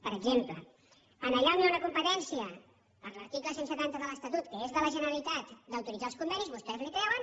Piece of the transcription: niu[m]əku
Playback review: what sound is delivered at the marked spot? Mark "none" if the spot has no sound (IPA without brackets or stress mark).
n